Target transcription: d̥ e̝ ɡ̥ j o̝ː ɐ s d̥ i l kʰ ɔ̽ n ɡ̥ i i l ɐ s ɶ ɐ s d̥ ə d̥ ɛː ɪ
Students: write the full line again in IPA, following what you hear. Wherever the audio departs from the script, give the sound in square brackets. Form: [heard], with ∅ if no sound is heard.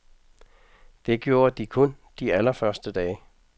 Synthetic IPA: d̥ e̝ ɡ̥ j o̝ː ɐ [∅] d̥ i [∅] kʰ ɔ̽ n [d̥] i [æ] l ɐ [f] ɶ ɐ s d̥ ə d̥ ɛː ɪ